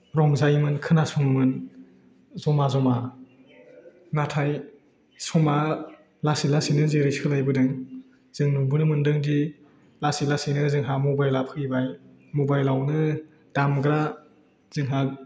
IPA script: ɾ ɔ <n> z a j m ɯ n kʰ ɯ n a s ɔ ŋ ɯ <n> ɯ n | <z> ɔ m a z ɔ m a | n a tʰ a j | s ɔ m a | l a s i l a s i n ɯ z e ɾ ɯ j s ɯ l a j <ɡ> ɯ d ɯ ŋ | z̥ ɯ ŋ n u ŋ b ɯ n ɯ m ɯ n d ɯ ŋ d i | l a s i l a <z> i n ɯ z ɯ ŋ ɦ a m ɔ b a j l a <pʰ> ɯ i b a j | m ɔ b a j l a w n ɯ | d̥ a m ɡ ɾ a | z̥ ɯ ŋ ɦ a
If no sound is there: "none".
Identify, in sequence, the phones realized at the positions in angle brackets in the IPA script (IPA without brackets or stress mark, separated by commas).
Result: ŋ, m, z, b, s, pʰ